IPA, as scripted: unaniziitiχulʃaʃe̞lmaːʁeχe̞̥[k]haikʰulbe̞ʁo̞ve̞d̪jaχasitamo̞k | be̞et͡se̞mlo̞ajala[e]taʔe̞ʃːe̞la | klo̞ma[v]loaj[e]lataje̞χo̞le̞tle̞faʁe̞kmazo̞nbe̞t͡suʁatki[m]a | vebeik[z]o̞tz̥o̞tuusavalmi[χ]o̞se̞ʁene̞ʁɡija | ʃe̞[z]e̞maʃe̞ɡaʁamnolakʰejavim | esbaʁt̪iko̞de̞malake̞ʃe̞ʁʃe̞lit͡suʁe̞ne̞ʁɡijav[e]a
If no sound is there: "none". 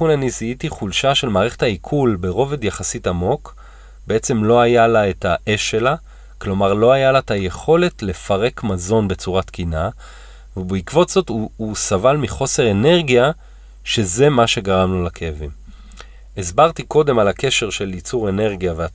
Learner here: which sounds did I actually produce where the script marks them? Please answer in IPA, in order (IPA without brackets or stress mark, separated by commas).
t, e, ʁ, a, n, v, χ, z, e